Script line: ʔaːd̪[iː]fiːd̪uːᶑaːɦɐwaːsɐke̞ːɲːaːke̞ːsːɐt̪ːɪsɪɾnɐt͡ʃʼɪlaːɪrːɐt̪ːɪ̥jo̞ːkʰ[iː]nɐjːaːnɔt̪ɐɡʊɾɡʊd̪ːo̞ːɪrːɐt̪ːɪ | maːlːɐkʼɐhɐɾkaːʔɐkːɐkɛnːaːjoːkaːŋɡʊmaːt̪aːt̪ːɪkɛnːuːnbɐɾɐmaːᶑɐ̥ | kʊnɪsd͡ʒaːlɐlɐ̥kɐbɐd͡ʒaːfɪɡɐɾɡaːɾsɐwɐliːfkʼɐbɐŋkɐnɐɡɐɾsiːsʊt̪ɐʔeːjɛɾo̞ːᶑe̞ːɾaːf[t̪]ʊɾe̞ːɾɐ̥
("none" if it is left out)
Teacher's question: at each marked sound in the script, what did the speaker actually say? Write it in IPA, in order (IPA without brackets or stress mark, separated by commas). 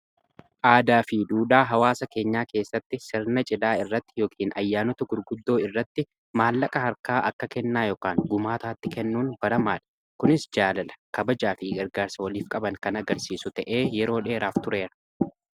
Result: aː, iː, t̪